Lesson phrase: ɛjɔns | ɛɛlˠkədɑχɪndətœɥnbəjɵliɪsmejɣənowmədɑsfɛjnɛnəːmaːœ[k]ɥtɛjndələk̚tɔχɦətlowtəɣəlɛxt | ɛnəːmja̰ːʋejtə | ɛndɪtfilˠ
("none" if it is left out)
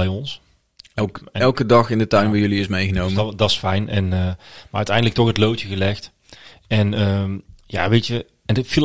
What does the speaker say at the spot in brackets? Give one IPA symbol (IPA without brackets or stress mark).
none